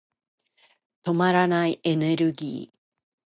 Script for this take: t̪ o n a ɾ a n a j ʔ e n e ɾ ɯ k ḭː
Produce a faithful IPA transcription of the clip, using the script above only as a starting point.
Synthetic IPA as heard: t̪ o m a ɾ a n a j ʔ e n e ɾ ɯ ɡ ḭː